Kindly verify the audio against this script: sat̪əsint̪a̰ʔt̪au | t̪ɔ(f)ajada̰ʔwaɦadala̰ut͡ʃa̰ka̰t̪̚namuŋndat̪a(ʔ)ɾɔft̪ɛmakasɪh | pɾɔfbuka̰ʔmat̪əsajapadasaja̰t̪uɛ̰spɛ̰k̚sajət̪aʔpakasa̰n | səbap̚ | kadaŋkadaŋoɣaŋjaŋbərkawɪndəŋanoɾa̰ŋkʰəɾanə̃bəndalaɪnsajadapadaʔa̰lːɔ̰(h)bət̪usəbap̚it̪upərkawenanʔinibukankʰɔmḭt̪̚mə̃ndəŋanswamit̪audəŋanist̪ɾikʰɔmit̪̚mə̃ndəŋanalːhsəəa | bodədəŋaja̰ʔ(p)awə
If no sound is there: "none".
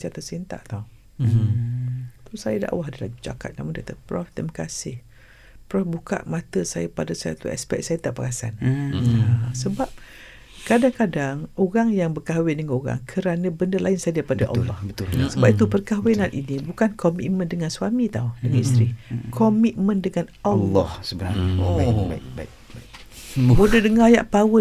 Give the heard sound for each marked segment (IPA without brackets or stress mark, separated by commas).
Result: s, p, h, p